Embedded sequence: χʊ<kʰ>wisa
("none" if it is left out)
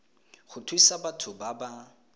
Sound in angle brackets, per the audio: tʰ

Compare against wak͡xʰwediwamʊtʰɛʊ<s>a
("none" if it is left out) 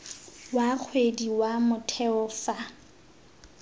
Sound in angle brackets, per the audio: f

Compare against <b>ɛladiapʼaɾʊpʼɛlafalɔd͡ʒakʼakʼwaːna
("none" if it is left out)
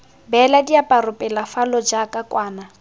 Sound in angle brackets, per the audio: b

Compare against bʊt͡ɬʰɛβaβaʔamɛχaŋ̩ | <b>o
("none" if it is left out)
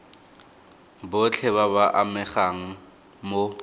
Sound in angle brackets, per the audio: m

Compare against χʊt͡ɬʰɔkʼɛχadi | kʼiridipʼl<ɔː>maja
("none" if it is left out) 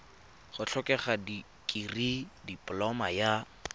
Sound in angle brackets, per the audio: ɔ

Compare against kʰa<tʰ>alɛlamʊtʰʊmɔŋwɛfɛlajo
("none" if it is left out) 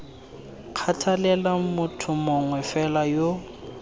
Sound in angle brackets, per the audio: tʰ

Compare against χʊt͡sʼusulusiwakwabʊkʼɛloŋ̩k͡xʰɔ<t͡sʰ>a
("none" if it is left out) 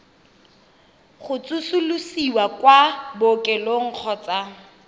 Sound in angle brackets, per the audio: t͡s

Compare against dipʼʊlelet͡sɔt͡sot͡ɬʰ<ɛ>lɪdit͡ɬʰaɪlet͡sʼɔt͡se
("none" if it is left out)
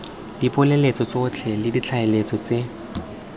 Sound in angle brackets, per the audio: ɛ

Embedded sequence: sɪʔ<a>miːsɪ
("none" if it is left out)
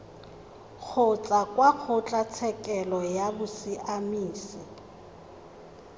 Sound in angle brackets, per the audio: a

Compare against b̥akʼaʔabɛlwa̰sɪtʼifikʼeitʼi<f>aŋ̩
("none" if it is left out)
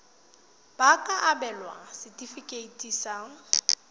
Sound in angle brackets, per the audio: s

